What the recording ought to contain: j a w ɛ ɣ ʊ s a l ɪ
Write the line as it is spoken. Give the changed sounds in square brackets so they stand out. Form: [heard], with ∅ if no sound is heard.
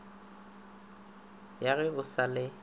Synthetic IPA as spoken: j a [ɣ] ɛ [∅] ʊ s a l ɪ